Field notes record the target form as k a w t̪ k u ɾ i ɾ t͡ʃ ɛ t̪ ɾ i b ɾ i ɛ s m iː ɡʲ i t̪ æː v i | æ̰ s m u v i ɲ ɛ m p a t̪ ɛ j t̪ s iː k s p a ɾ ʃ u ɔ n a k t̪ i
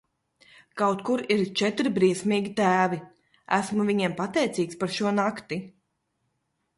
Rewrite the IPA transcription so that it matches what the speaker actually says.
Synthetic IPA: k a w t̪ k u ɾ i ɾ t͡ʃ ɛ t̪ ɾ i b ɾ i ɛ s m iː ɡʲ i t̪ æː v i | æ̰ s m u v i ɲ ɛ m p a t̪ ɛ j t̪ s iː k s p a ɾ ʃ u ɔ n a k t̪ i